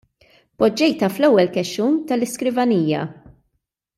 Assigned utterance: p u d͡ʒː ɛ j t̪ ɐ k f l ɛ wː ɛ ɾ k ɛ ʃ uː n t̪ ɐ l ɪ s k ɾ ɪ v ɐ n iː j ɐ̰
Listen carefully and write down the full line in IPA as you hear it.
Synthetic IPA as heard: p ɔ d͡ʒː ɛ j t̪ ɐ f l ɛ wː ɛ l k ɛ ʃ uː n t̪ ɐ l ɪ s k ɾ ɪ v ɐ n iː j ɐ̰